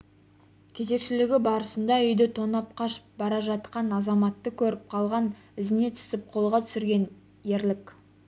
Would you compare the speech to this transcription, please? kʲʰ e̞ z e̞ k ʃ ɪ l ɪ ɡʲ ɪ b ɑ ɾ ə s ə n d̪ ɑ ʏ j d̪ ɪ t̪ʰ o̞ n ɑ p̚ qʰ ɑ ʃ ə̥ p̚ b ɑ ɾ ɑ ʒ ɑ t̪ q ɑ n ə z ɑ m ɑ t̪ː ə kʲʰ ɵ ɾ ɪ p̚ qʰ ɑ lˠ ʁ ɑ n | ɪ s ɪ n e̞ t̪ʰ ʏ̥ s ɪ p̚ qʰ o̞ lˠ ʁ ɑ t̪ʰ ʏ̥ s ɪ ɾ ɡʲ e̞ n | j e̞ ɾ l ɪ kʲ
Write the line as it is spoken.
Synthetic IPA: kʲʰ e̞ z e̞ k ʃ ɪ l ɪ ɡʲ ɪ b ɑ ɾ ə s ə n d̪ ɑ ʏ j d̪ ɪ t̪ʰ o̞ n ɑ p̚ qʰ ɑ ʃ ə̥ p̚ b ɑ ɾ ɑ ʒ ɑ t̪ q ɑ n ɑ z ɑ m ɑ t̪ː ə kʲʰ ɵ ɾ ɪ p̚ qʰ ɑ lˠ ʁ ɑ n | ɪ z ɪ n e̞ t̪ʰ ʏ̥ s ɪ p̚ qʰ o̞ lˠ ʁ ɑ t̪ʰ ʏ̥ s ɪ ɾ ɡʲ e̞ n | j e̞ ɾ l ɪ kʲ